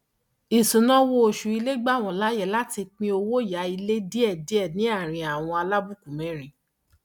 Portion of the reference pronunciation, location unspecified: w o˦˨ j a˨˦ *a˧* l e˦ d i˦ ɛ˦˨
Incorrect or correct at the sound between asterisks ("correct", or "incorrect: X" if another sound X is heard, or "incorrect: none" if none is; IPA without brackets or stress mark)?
incorrect: i˧